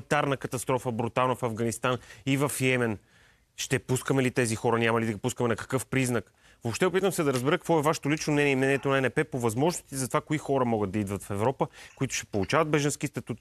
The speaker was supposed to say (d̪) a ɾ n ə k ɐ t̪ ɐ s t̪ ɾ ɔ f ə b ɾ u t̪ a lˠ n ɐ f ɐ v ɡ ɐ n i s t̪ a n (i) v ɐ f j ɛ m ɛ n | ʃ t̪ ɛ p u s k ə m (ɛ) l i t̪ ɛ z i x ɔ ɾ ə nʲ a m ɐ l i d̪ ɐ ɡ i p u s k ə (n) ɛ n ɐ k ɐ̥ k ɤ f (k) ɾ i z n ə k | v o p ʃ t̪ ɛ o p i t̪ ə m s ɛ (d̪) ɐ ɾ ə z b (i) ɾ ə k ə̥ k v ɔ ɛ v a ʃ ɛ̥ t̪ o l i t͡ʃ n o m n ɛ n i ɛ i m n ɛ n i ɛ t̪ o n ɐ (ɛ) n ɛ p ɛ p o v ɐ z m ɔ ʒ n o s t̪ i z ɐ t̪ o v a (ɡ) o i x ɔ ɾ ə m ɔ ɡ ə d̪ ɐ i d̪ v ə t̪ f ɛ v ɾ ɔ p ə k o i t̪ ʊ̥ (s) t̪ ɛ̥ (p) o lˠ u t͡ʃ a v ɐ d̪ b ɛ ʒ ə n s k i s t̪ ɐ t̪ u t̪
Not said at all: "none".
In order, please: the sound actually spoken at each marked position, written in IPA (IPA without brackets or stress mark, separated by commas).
t̪, i, ɛ, m, p, d̪, ɛ, ɛ, k, ʃ, p